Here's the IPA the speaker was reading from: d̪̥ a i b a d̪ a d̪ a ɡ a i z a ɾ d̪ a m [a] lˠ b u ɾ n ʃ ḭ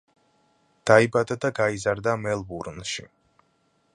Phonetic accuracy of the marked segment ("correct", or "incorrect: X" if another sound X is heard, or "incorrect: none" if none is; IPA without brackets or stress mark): incorrect: ɛ